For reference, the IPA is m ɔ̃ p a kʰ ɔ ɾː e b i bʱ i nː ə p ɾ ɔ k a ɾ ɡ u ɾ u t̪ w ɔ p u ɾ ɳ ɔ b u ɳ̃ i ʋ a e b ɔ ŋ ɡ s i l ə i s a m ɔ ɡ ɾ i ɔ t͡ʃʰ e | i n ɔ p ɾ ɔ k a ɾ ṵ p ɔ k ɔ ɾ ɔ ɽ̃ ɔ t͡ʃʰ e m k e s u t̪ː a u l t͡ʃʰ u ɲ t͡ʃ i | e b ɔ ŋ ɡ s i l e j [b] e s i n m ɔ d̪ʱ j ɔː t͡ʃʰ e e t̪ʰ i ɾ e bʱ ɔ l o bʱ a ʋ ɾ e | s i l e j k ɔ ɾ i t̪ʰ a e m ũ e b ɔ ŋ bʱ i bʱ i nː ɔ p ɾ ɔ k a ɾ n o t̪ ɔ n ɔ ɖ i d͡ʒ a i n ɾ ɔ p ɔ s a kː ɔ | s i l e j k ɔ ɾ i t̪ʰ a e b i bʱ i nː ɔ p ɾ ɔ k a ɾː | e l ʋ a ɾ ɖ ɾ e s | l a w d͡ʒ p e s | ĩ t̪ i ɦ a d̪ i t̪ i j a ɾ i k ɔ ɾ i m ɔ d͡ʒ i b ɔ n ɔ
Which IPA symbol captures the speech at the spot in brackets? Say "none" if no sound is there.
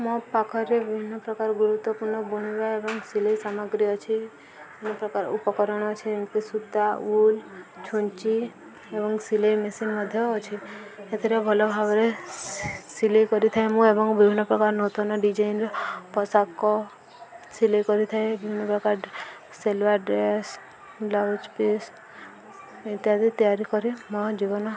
m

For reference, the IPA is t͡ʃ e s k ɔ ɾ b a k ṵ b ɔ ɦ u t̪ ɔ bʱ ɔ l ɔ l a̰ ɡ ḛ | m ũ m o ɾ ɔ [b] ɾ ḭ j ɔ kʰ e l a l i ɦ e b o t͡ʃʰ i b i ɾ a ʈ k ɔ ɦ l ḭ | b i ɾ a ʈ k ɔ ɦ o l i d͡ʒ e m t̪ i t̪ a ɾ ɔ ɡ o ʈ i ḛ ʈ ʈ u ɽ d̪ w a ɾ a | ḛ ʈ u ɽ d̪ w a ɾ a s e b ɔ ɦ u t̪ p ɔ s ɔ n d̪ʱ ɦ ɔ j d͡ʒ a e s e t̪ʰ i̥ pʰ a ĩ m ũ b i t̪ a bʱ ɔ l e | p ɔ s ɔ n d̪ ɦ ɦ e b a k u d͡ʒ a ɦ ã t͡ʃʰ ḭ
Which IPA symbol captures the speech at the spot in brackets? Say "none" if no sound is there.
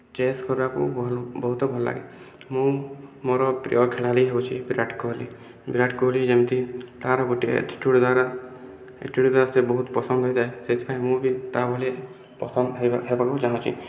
p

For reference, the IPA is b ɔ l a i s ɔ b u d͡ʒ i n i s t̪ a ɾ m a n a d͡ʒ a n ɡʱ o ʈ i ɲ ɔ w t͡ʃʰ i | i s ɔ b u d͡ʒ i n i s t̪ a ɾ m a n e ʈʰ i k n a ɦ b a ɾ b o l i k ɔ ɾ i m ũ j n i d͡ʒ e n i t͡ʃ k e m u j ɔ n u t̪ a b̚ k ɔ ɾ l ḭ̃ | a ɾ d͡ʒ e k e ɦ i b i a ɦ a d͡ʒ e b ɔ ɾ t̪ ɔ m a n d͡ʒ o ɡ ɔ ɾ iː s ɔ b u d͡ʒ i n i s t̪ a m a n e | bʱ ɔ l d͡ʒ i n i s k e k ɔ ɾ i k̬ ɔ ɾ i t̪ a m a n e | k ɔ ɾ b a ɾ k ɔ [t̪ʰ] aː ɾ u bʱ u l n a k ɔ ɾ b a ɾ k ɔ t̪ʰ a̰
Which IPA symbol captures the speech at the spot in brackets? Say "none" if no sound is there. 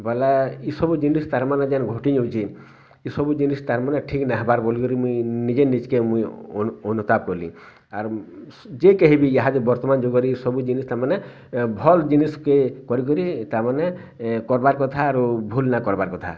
t̪ʰ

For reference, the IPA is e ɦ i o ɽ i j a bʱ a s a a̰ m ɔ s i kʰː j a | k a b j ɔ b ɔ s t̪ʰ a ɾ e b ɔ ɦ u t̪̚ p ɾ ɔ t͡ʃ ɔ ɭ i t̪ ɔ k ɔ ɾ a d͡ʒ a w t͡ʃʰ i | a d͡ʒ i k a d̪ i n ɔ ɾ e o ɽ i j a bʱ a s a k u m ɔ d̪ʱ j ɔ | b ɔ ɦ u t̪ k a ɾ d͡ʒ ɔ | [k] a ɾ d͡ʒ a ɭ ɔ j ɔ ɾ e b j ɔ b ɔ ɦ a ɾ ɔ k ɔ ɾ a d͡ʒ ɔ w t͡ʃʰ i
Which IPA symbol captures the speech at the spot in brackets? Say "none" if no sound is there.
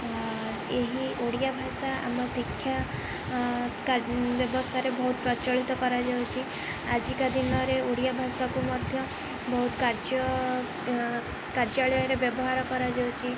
k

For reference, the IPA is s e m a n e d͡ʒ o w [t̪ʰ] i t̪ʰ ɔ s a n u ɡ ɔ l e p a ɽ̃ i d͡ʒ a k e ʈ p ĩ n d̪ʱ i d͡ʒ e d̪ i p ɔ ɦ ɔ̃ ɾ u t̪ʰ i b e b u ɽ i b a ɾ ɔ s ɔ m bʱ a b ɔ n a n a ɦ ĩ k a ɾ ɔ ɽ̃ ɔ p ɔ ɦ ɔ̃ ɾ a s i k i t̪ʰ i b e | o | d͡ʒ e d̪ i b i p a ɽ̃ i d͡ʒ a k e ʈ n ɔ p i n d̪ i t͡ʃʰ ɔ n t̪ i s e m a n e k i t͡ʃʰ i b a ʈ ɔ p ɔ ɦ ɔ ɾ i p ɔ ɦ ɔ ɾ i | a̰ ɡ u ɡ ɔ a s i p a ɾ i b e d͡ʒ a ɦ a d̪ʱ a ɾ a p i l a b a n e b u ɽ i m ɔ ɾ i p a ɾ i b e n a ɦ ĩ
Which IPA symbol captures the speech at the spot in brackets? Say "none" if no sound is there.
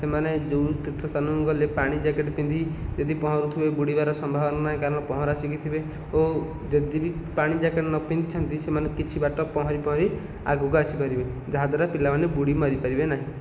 t̪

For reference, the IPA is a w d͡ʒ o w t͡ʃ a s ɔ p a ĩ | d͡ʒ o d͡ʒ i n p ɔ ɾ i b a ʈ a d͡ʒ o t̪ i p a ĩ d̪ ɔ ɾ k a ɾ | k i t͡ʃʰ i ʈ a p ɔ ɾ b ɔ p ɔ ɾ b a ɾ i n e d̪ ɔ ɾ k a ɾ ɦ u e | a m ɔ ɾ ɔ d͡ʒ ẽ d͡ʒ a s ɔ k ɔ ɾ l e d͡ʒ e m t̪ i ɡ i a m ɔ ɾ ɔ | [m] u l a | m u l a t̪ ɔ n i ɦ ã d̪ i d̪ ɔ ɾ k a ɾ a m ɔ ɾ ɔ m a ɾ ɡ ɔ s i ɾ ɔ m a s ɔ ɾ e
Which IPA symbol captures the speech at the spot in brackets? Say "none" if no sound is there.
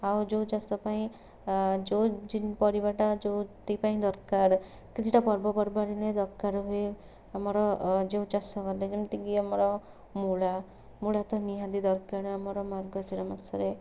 m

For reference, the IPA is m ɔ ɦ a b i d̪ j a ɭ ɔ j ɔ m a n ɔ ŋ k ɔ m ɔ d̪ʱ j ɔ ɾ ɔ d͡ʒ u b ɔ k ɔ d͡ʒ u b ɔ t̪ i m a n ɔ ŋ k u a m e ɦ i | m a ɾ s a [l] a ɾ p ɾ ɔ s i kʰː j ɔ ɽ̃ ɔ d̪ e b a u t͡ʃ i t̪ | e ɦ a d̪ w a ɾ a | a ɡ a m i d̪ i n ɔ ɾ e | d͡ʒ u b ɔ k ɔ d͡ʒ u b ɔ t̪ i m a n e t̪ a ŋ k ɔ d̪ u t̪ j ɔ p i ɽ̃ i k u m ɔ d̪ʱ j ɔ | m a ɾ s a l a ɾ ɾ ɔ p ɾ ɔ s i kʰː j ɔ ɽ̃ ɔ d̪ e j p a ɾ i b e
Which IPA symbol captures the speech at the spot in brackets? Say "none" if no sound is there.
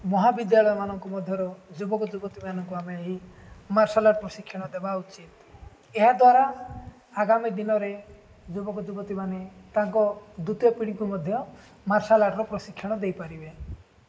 l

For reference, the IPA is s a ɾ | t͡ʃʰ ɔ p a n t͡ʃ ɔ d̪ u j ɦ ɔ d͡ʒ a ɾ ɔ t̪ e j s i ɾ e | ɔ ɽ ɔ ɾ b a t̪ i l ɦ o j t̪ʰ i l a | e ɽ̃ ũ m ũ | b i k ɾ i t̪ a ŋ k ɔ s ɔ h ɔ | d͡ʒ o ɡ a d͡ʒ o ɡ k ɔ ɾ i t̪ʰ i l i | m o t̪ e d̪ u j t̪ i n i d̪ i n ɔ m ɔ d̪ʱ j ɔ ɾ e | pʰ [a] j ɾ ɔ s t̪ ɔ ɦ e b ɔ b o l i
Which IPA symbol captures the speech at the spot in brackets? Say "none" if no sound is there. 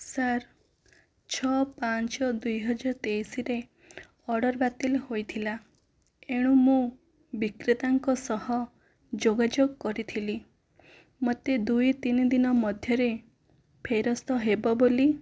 e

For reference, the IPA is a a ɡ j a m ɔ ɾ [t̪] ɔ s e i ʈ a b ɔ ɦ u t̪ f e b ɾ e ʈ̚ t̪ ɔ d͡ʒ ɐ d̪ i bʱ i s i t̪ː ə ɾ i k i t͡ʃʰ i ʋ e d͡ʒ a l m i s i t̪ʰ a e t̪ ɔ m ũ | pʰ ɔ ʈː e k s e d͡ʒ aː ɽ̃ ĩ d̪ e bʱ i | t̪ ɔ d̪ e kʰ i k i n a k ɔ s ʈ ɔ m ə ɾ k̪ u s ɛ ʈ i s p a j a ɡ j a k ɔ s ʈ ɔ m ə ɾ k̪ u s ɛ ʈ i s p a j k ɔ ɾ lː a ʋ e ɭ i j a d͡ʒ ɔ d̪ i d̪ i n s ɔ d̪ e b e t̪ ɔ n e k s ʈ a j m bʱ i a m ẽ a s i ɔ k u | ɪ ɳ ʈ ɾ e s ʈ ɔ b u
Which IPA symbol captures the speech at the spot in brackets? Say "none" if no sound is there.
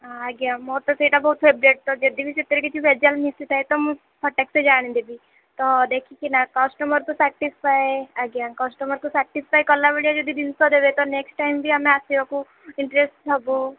t̪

